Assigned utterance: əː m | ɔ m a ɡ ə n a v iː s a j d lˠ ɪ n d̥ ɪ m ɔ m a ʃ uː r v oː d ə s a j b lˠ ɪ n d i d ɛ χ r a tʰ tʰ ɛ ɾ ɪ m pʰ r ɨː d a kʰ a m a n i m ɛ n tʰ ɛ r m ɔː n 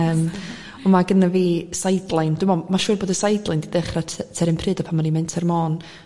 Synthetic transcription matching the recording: əː m | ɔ m a ɡ ə n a v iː s a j d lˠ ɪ n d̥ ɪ m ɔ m a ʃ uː r b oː d ə s a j d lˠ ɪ n d i d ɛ χ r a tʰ tʰ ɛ ɾ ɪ m pʰ r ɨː d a pʰ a m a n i m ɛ n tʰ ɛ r m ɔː n